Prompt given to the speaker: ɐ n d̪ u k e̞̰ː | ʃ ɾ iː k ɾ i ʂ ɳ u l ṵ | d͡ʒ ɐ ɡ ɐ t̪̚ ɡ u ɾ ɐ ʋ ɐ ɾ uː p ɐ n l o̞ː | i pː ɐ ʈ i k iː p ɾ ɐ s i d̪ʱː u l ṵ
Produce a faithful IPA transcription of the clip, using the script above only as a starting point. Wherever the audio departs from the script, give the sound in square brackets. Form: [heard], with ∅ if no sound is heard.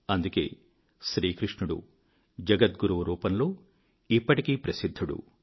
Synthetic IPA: ɐ n d̪ u k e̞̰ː | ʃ ɾ iː k ɾ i ʂ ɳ u [ɽ] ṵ | d͡ʒ ɐ ɡ ɐ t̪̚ ɡ u ɾ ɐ ʋ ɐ ɾ uː p ɐ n l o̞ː | i pː ɐ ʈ i k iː p ɾ ɐ s i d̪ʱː u [ɽ] ṵ